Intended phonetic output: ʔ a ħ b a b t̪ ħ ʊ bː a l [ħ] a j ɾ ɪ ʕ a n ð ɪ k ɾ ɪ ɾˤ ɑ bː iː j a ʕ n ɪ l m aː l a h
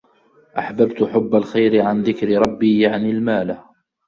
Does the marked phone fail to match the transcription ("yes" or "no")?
yes